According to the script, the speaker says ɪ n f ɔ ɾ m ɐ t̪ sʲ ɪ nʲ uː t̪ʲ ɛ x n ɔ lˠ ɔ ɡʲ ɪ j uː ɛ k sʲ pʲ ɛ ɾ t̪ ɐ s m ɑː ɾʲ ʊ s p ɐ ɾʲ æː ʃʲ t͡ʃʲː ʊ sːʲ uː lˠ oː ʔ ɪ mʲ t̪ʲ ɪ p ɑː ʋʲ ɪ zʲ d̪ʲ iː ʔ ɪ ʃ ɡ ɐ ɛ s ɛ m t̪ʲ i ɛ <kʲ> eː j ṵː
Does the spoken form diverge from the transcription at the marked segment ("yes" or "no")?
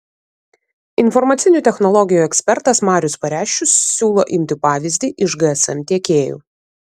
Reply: no